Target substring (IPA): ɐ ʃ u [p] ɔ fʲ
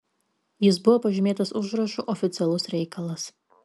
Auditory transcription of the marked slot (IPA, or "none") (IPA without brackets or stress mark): ʔ